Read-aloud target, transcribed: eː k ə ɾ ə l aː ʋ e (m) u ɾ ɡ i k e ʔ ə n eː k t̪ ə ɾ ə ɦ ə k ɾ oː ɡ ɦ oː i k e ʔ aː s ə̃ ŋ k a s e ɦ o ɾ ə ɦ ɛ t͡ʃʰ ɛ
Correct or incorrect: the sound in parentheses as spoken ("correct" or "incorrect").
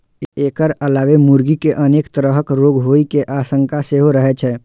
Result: correct